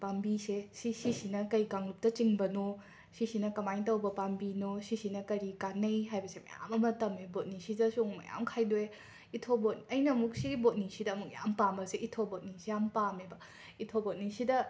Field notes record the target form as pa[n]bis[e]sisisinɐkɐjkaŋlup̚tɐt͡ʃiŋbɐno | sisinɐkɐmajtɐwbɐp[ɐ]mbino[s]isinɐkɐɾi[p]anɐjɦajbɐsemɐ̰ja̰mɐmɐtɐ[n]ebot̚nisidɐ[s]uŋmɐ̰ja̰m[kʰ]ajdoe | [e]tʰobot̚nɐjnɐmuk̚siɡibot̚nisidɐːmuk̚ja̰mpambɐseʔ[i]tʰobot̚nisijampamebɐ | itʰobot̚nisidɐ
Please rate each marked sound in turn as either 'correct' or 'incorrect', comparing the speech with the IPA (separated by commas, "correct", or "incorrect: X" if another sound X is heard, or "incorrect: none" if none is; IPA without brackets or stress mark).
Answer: incorrect: m, correct, incorrect: a, correct, incorrect: k, incorrect: m, correct, correct, incorrect: i, correct